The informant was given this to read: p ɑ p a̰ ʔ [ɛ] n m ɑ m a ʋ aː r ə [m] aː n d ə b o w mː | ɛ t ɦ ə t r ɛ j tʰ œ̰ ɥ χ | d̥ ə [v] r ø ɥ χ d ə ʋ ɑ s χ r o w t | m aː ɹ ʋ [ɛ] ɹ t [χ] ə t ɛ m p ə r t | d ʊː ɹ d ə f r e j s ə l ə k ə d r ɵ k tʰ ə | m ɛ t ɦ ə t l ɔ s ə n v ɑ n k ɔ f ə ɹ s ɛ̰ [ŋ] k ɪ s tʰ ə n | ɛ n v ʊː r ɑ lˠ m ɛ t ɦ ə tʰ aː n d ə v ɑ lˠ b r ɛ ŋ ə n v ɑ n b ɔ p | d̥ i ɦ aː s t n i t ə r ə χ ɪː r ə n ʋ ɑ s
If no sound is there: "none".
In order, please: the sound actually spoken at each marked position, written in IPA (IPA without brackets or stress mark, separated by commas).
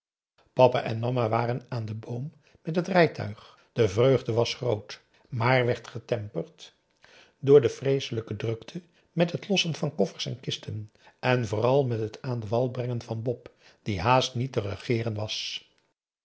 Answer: ɛ, n, v, ɛ, χ, n